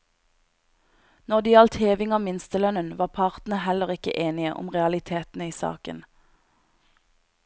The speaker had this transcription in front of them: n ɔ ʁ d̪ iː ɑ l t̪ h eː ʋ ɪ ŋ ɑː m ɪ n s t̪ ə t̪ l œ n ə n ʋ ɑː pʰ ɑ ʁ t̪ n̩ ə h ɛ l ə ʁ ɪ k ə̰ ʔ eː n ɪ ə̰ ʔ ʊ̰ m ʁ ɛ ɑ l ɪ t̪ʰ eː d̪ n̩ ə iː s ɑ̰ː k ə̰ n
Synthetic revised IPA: n ɔ ʁ d̪ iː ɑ l t̪ h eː ʋ ɪ ŋ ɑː m ɪ n s t̪ ə l œ n ə n ʋ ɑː pʰ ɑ ʁ t̪ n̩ ə h ɛ l ə ʁ ɪ k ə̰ ʔ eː n ɪ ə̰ ʔ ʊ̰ m ʁ ɛ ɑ l ɪ t̪ʰ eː t̪ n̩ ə iː s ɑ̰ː k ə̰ n